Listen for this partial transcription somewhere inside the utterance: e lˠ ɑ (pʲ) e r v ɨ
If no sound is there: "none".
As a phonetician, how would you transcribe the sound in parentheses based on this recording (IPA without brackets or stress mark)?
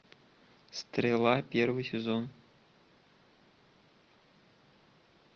pʲ